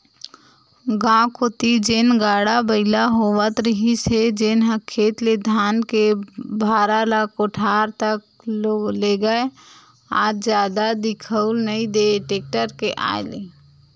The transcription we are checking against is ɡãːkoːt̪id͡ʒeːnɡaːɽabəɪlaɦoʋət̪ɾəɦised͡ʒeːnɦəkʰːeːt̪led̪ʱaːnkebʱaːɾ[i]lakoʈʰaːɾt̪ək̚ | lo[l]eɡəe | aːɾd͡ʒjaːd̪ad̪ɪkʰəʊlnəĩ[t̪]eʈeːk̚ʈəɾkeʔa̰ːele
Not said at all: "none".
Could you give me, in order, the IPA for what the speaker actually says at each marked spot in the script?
a, l, d̪

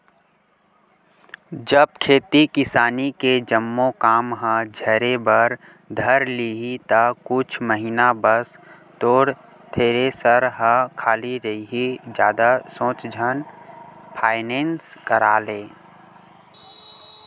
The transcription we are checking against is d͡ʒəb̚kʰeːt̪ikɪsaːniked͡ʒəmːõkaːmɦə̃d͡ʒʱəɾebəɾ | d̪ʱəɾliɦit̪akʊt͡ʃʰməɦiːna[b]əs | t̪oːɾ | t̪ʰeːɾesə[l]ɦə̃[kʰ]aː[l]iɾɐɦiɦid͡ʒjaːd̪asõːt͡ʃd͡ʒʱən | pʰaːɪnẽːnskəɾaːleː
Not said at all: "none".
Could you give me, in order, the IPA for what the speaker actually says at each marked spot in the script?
b, ɾ, kʰ, l

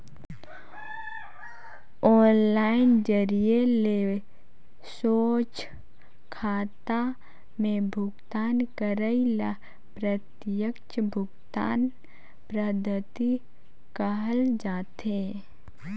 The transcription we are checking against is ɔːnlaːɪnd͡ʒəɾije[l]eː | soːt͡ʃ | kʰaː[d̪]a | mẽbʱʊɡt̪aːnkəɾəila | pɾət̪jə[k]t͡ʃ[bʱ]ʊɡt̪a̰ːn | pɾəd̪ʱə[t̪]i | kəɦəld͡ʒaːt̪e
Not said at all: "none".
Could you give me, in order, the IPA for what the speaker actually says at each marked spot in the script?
l, t̪, k, bʱ, t̪

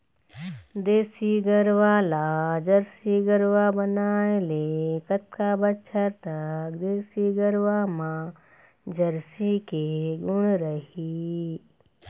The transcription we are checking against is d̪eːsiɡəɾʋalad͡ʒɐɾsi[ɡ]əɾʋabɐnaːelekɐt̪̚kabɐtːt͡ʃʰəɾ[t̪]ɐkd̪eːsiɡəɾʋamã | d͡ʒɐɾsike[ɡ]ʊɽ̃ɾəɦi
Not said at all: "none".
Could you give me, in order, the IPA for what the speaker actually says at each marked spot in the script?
ɡ, t̪, ɡ

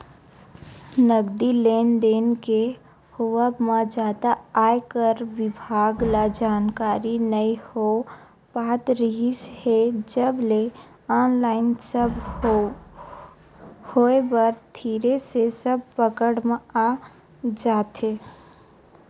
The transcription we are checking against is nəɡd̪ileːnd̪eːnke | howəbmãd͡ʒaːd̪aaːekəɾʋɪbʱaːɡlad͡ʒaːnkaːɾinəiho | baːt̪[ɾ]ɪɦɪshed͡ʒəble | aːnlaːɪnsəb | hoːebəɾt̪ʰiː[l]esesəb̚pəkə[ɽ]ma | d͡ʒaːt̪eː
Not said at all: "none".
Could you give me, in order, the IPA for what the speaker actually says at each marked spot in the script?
ɾ, ɾ, ɽ

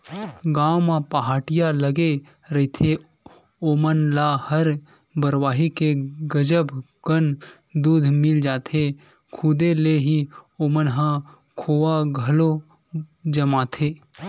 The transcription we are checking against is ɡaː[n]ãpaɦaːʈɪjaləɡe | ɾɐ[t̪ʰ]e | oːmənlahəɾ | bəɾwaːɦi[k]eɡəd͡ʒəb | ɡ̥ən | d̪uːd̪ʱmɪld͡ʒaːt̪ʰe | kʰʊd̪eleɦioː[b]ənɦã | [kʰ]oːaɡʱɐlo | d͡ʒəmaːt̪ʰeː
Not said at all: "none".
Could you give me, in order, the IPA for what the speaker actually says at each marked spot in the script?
m, t̪ʰ, k, m, kʰ

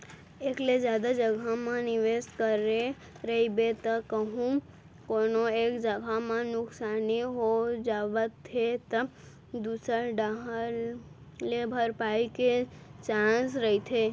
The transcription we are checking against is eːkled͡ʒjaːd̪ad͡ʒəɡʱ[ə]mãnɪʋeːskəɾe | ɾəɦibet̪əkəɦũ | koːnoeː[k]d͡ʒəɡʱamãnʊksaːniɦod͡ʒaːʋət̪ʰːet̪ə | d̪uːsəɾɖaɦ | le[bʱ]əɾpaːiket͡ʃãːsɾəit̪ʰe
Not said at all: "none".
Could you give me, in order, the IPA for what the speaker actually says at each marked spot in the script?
a, k, bʱ

